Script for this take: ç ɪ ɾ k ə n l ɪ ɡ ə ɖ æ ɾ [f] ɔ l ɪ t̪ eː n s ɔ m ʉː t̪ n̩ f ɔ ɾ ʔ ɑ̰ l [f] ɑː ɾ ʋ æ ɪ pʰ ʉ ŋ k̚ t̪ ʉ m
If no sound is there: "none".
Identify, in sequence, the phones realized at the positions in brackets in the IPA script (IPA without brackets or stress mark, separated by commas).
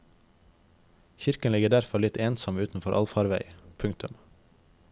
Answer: f, f